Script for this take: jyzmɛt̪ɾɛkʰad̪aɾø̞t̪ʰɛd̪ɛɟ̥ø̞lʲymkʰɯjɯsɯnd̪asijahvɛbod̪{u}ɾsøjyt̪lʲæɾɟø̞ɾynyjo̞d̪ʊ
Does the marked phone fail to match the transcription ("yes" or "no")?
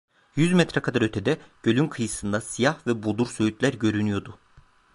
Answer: no